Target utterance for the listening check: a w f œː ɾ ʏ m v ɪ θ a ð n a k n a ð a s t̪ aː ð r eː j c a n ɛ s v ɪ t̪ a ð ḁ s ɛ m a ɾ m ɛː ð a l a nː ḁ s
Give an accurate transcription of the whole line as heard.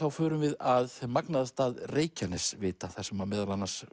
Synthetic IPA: a w f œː ɾ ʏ m v ɪ ð a ð m a k n a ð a s t̪ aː ð r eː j c a n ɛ s v ɪː t̪ a θ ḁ s ɛ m a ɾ m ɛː ð a l a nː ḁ s